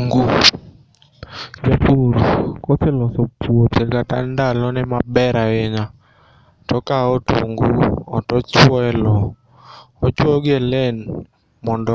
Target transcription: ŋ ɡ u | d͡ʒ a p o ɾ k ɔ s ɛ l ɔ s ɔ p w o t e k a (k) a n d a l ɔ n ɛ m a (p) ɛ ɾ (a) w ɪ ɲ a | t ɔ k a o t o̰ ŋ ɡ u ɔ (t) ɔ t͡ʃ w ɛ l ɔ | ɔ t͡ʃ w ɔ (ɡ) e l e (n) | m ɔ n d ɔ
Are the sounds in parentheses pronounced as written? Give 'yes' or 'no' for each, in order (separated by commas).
no, no, yes, yes, yes, yes